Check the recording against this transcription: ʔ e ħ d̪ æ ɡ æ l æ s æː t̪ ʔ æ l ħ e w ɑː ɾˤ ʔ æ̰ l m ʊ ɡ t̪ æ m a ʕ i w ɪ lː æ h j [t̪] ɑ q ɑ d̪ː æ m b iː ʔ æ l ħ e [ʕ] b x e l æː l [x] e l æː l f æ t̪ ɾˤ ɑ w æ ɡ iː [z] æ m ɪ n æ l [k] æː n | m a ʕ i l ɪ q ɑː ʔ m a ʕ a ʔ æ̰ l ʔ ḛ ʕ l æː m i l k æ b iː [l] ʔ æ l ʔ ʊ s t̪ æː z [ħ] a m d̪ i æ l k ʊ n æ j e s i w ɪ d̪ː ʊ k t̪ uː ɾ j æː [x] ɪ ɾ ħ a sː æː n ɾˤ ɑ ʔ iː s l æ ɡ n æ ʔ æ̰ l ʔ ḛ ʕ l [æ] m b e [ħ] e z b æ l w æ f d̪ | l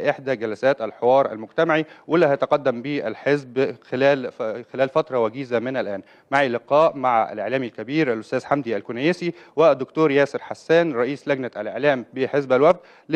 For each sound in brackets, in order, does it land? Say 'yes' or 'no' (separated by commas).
yes, no, yes, yes, no, no, yes, no, no, yes